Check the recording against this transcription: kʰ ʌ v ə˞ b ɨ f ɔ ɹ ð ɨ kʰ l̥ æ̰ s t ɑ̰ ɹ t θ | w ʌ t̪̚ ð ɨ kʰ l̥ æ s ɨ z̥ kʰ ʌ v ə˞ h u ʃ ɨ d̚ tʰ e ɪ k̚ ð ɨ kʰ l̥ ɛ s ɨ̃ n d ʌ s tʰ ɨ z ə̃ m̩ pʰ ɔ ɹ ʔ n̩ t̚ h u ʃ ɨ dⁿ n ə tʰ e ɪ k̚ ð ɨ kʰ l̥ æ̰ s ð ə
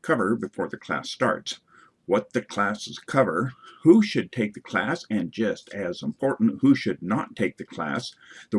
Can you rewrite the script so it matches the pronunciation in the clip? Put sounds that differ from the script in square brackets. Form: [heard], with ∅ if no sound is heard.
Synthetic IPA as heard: kʰ ʌ v ə˞ b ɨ f ɔ ɹ ð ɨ kʰ l̥ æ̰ s t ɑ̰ ɹ t [s] | w ʌ t̪̚ ð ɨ kʰ l̥ æ s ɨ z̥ kʰ ʌ v ə˞ h u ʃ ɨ d̚ tʰ e ɪ k̚ ð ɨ kʰ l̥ [æ] s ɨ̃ n [d͡ʒ] ʌ s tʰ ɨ z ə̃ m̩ pʰ ɔ ɹ ʔ n̩ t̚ h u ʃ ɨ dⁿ n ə tʰ e ɪ k̚ ð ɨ kʰ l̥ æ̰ s ð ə

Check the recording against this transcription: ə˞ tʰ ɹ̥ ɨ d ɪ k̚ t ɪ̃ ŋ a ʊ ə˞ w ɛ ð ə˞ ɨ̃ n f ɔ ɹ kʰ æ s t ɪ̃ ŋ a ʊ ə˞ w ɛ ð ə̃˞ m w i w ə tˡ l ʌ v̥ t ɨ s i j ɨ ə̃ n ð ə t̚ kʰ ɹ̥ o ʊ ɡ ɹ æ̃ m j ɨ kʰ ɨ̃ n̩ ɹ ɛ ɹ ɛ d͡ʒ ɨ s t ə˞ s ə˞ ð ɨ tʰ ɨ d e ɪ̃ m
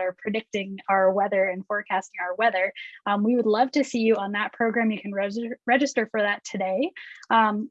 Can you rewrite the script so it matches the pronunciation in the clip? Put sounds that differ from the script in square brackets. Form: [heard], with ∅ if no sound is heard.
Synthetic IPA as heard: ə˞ [pʰ] ɹ̥ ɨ d ɪ k̚ t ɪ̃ ŋ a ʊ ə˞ w ɛ ð ə˞ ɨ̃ n f ɔ ɹ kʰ æ s t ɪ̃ ŋ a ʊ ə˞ w ɛ ð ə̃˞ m w i w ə [dˡ] l ʌ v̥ t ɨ s i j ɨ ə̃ n ð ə t̚ [pʰ] ɹ̥ o ʊ ɡ ɹ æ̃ m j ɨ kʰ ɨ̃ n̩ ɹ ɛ ɹ ɛ d͡ʒ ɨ s t ə˞ [f] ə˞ ð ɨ tʰ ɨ d e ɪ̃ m

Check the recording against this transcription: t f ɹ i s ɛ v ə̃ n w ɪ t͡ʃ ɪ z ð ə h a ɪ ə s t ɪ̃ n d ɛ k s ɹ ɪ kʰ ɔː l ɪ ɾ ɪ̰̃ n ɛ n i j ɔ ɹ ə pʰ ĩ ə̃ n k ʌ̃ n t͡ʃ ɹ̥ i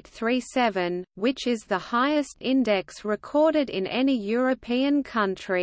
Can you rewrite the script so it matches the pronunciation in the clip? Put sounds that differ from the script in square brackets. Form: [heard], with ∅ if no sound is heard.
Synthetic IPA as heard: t [θ] ɹ i s ɛ v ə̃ n w ɪ t͡ʃ ɪ z ð ə h a ɪ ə s t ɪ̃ n d ɛ k s ɹ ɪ kʰ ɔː [ɾ] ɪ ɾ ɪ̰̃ n ɛ n i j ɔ ɹ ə pʰ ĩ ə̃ n [kʰ] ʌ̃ n t͡ʃ ɹ̥ i

